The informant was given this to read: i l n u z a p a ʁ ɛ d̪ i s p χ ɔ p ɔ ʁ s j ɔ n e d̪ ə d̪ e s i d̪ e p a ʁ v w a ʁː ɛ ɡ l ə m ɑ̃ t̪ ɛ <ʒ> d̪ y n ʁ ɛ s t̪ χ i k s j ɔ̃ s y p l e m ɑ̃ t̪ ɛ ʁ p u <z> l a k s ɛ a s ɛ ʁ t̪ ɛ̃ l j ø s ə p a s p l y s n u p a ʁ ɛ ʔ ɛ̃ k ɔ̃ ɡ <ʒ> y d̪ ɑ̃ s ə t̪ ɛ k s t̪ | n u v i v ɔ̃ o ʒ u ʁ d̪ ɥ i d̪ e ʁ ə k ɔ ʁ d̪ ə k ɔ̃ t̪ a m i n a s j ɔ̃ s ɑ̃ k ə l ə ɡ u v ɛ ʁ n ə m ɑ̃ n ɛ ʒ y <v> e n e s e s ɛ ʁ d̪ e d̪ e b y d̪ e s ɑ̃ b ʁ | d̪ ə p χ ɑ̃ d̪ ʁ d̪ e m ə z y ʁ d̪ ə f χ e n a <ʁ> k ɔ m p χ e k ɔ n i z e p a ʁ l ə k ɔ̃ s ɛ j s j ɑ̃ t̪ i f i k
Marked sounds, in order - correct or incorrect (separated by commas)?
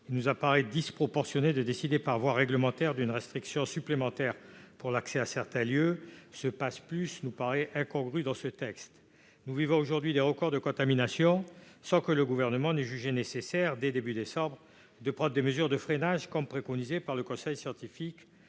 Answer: incorrect, incorrect, incorrect, incorrect, incorrect